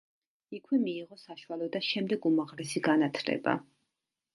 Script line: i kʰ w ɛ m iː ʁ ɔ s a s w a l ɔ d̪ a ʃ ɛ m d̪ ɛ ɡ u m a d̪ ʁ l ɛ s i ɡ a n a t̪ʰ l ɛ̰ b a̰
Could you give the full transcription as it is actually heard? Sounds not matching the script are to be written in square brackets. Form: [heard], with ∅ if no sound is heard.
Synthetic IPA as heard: i kʰ w ɛ m iː ʁ ɔ s a [ʃ] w a l ɔ d̪ a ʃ ɛ m d̪ ɛ ɡ u m a [∅] ʁ l ɛ s i ɡ a n a t̪ʰ l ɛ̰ b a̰